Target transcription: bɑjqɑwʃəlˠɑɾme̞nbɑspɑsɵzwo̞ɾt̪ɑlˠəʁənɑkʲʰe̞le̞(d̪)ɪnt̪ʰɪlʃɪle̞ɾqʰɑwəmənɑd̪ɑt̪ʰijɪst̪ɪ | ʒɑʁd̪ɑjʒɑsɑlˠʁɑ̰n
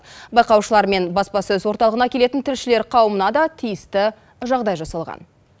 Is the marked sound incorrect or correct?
incorrect